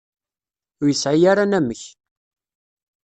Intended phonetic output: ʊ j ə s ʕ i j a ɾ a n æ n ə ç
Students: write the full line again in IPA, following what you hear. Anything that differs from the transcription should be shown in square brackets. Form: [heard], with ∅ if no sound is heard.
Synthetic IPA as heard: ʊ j ə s ʕ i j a ɾ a n æ [m] ə ç